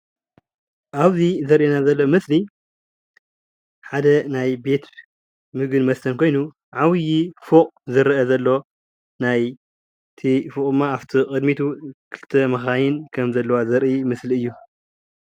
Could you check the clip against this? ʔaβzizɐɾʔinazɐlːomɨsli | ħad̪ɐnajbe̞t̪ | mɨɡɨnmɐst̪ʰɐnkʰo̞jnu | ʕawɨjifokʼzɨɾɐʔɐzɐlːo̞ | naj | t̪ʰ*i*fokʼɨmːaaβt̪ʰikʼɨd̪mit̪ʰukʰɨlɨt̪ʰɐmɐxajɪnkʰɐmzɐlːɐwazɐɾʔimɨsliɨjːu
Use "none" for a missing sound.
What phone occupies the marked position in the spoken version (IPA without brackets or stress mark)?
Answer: i